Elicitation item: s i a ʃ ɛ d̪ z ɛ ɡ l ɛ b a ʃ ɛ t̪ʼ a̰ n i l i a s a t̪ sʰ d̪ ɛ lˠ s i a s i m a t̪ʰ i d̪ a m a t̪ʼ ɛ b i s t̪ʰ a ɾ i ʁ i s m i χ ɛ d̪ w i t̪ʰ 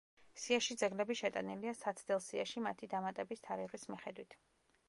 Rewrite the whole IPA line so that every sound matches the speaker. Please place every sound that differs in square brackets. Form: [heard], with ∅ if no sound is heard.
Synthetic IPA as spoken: s i a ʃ [i] d̪ z ɛ ɡ l ɛ b [i] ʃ ɛ t̪ʼ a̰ n i l i a s a t̪ sʰ d̪ ɛ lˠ s i a [ʃ] i m a t̪ʰ i d̪ a m a t̪ʼ ɛ b i s t̪ʰ a ɾ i ʁ i s m i χ ɛ d̪ w i t̪ʰ